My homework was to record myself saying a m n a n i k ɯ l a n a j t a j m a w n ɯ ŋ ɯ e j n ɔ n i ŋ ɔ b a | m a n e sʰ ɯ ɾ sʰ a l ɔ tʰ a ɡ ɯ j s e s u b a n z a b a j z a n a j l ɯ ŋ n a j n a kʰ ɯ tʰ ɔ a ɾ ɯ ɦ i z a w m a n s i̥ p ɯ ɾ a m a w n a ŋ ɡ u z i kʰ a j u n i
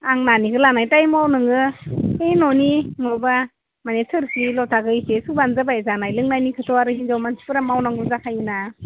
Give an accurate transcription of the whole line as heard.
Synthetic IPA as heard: a ŋ n a n i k ɯ l a n a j t a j m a w n ɯ ŋ ɯ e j n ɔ n i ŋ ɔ b a | m a n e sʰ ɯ ɾ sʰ i l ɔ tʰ a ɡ ɯ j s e s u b a n z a b a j z a n a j l ɯ ŋ n a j n i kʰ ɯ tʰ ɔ a ɾ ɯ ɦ i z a w m a n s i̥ p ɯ ɾ a m a w n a ŋ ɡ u z a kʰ a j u n a